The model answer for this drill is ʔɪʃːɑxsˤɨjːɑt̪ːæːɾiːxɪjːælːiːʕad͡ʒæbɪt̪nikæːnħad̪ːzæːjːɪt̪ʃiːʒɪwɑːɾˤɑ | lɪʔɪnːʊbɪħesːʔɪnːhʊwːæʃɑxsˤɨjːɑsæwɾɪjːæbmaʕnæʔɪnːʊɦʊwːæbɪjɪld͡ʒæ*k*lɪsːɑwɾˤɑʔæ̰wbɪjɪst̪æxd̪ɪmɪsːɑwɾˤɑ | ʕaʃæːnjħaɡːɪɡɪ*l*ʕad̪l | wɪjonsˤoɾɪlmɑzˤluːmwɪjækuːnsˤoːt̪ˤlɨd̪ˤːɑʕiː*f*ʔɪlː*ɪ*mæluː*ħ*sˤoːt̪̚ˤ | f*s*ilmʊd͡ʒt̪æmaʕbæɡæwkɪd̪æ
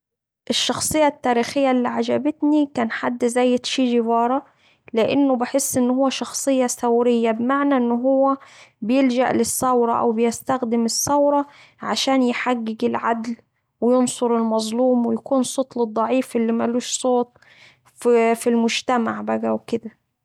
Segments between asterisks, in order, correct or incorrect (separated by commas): incorrect, correct, correct, incorrect, incorrect, incorrect